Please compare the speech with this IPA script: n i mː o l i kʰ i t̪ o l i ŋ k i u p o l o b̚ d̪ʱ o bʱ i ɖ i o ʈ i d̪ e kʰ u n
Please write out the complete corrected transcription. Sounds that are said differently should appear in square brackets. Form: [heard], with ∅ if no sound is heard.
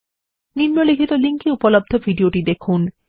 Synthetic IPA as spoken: n i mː o l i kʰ i t̪ o l i ŋ k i u p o l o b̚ d̪ʱ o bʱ i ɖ i o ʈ i d̪ e kʰ u n